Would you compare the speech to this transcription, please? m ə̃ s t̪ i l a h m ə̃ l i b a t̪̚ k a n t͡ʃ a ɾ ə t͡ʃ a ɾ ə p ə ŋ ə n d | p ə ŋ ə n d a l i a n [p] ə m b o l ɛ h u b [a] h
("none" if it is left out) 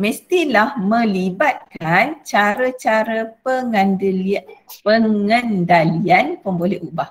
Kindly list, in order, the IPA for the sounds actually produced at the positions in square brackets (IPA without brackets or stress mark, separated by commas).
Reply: p, a